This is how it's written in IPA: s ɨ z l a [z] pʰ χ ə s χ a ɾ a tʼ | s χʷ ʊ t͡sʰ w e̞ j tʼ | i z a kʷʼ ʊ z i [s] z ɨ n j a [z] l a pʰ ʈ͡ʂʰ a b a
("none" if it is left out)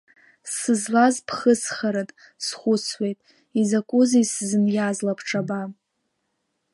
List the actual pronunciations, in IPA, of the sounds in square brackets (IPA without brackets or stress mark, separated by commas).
z, s, z